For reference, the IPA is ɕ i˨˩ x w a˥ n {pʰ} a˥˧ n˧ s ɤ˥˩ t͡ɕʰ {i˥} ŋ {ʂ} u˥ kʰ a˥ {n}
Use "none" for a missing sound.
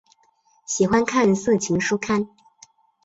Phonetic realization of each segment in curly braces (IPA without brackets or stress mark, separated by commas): kʰ, i˧˥, ʂ, n